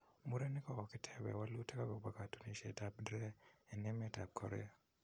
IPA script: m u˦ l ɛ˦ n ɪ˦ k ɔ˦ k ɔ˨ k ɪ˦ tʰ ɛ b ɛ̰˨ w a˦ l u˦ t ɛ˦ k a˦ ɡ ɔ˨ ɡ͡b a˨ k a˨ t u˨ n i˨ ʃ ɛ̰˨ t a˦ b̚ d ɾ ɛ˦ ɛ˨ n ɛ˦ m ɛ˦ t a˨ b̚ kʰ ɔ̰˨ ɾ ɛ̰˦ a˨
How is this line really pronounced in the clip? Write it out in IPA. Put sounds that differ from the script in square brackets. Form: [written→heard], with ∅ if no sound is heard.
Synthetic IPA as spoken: m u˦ [l→ɾ] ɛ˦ n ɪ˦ k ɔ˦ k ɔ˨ k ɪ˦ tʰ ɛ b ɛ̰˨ w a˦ l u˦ t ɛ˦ k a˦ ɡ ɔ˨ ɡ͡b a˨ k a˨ t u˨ n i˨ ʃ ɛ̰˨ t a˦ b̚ d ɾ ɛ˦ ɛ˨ n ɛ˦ m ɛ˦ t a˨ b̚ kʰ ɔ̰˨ ɾ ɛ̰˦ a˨